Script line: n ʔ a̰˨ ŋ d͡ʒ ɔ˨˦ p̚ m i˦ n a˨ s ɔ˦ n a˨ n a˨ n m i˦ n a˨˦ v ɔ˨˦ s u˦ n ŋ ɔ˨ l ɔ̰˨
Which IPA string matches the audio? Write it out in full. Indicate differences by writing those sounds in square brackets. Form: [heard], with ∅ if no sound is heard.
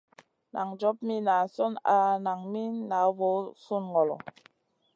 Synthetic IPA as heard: n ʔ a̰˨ ŋ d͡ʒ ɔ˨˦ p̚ m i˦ n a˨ s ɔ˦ n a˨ n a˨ [ŋ] m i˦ n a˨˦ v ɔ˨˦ s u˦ n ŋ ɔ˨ l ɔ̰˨